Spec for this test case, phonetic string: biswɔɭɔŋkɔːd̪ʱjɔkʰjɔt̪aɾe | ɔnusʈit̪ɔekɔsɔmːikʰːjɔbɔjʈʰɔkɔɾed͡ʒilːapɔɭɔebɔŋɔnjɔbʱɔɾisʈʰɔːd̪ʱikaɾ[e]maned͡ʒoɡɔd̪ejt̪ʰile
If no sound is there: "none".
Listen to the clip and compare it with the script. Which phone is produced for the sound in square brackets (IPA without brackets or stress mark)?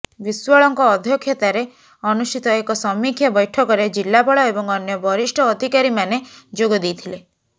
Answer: i